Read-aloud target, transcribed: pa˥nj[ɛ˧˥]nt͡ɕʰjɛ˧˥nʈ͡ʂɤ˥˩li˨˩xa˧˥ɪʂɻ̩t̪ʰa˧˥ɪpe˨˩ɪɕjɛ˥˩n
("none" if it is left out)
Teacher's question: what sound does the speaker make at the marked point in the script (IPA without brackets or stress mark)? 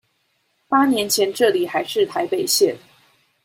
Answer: ɛ˧˥